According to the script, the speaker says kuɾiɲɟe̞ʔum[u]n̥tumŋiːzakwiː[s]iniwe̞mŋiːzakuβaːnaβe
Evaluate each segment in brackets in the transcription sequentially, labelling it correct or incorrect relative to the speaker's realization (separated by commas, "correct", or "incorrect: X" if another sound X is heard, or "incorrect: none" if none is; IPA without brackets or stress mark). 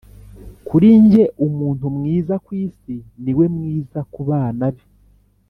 incorrect: uː, correct